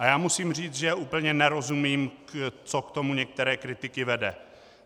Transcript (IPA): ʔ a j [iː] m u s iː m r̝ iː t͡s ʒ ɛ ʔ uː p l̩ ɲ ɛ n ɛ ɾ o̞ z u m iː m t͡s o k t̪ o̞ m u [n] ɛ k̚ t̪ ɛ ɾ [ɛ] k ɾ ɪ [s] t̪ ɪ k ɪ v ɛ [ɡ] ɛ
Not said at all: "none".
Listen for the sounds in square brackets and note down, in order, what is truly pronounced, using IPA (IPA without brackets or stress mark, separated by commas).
aː, ɲ, ɛː, none, d